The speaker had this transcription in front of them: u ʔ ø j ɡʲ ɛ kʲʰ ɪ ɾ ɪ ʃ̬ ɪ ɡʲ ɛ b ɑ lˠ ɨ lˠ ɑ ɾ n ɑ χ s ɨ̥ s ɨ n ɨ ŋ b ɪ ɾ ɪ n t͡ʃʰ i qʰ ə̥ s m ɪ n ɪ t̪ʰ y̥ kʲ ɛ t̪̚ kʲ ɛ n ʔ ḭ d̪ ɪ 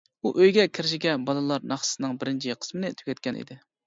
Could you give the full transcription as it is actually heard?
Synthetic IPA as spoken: u ʔ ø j ɡʲ ɛ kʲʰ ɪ ɾ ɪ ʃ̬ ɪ ɡʲ ɛ b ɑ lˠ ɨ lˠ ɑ ɾ n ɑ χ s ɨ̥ s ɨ n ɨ ŋ b ɪ ɾ ɪ n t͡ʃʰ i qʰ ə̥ s m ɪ n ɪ t̪ʰ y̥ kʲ ɛ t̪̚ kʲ ɛ n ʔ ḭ d̪ ɪ